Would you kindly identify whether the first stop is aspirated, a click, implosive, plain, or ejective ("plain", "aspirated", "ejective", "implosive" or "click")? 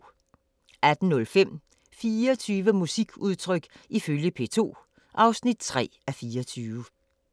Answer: plain